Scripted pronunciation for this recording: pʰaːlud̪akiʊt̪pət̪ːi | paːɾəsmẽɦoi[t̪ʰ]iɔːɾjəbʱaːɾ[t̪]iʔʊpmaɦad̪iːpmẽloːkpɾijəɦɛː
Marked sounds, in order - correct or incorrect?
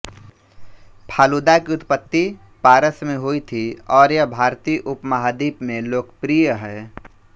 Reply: correct, correct

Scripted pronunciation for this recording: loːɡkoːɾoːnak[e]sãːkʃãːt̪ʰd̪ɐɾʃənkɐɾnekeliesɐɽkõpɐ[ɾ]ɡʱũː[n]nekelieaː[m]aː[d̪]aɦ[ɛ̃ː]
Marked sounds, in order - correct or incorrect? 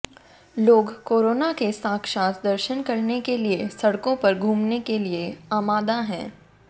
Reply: correct, correct, incorrect: m, correct, correct, correct

